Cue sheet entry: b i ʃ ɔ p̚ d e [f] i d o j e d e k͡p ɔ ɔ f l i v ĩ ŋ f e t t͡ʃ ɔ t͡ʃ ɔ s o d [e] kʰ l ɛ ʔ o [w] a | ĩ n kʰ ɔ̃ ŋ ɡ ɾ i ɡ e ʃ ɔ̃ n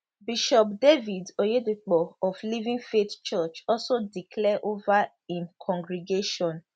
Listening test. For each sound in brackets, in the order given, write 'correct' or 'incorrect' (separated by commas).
incorrect, incorrect, incorrect